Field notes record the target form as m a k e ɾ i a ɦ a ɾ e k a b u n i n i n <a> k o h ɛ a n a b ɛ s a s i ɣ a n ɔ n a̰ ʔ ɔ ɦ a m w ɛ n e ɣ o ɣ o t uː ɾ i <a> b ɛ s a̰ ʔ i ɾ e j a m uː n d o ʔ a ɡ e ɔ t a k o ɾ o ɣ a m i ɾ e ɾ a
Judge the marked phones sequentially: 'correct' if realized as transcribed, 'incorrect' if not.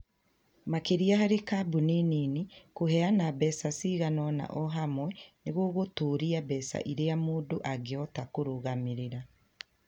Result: incorrect, correct

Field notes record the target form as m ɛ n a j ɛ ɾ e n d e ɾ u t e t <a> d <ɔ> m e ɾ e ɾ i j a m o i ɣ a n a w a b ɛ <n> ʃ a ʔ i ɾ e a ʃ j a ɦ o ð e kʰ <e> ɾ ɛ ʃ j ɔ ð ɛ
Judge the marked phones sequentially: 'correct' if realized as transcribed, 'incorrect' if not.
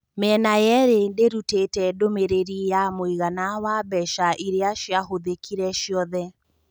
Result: incorrect, incorrect, incorrect, incorrect

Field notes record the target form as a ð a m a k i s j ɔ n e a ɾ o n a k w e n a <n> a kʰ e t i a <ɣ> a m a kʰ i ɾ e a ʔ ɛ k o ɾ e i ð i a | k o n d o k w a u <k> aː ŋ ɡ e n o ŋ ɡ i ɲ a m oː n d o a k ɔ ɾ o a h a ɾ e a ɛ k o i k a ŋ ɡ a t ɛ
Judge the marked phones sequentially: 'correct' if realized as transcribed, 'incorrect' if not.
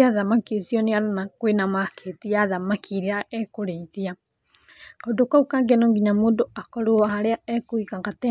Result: incorrect, incorrect, correct

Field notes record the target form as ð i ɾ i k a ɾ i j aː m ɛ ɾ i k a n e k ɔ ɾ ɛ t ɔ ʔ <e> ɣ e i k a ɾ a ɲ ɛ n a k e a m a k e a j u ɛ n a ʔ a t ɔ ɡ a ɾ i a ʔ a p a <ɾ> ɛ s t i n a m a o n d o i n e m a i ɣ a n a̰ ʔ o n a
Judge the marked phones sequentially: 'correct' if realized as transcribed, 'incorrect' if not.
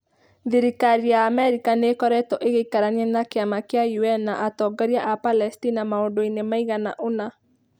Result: correct, incorrect

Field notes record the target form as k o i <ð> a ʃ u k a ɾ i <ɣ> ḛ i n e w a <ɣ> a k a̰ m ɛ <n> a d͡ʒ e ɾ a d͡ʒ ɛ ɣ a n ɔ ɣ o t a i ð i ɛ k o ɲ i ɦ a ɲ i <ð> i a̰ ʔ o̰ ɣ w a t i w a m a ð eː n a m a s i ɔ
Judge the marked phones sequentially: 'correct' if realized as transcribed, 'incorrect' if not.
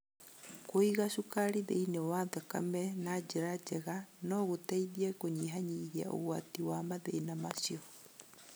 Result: incorrect, incorrect, incorrect, correct, incorrect

